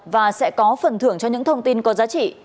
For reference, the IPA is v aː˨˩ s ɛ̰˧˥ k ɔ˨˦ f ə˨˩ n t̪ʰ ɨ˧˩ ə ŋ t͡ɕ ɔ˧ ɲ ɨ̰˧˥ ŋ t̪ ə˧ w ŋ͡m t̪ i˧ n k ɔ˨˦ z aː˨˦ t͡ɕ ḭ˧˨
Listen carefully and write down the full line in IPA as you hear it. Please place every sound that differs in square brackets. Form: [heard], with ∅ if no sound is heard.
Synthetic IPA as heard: v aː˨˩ s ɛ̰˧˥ k ɔ˨˦ f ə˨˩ n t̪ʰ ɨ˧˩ ə ŋ t͡ɕ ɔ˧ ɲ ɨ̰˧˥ ŋ [t̪ʰ] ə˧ w ŋ͡m t̪ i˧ n k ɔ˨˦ z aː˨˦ t͡ɕ ḭ˧˨